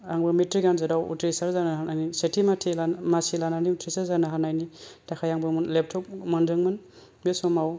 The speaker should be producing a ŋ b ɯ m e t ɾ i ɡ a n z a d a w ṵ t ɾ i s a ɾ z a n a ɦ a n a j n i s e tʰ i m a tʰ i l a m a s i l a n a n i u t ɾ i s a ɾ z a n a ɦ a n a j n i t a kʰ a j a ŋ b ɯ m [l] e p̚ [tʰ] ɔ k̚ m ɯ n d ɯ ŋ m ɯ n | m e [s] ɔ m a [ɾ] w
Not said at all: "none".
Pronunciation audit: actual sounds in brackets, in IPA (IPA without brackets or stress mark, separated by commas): l, tʰ, s, none